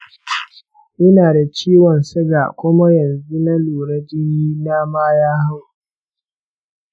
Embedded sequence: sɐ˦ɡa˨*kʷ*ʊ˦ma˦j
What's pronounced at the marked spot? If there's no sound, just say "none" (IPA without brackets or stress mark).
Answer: kʷ